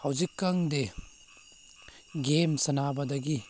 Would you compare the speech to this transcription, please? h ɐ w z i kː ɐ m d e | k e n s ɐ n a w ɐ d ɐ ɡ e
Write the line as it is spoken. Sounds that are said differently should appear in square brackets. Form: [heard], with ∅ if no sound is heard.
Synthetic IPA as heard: h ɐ w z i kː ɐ [ŋ] d e | [ɡ] e [m] s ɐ n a [b] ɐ d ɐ ɡ [i]